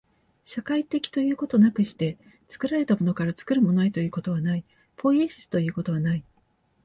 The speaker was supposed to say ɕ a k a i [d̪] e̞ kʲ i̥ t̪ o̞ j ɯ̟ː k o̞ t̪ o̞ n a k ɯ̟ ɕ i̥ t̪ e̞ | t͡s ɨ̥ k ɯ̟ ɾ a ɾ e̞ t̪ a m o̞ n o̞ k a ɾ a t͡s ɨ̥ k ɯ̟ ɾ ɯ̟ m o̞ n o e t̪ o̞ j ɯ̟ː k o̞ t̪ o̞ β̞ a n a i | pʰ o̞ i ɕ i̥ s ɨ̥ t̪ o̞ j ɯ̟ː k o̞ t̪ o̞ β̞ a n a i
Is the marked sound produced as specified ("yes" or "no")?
no